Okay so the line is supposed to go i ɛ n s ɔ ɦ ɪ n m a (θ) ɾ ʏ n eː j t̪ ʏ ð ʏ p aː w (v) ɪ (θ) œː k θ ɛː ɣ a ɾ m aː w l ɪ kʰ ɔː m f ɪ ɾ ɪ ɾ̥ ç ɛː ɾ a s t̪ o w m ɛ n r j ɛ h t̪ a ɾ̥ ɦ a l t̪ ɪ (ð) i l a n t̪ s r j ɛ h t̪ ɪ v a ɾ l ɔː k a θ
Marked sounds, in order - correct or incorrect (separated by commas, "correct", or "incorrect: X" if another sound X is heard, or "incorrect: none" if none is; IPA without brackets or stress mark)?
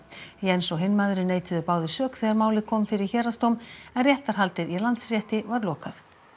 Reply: incorrect: ð, incorrect: ð, incorrect: s, correct